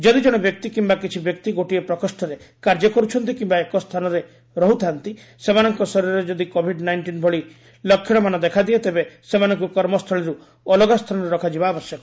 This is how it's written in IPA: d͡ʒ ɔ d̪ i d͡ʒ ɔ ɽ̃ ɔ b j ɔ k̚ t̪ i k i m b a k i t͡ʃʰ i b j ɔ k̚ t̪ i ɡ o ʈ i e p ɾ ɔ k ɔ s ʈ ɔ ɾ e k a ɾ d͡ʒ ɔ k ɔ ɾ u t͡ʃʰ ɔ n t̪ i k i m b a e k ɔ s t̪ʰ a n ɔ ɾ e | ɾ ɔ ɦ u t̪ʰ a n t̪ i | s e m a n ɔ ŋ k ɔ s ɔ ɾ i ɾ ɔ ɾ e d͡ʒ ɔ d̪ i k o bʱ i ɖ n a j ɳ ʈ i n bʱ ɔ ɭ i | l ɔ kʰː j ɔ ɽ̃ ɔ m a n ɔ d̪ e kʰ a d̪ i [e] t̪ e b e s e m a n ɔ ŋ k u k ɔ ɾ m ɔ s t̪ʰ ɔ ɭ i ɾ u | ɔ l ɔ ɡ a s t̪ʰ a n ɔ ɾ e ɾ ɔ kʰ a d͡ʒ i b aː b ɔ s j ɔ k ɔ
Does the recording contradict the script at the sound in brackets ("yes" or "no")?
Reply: no